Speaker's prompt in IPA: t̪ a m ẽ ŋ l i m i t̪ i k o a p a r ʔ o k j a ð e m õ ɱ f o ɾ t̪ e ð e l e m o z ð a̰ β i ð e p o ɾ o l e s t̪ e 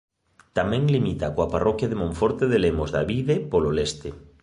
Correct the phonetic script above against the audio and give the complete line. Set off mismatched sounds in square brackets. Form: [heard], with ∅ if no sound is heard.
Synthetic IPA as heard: t̪ a m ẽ ŋ l i m i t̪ [a] k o a p a r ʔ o k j a ð e m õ ɱ f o ɾ t̪ e ð e l e m o z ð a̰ β i ð e p o [l] o l e s t̪ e